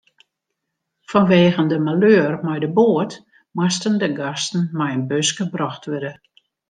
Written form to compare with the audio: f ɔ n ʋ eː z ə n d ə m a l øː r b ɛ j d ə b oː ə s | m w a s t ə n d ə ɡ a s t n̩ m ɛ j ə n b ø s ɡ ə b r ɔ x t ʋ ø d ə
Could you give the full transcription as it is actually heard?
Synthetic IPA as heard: f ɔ n ʋ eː ɣ ə n d ə m a l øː r m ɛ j d ə b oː ə t | m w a s t ə n d ə ɡ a s t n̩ m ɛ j ə n b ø s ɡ ə b r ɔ x t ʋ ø d ə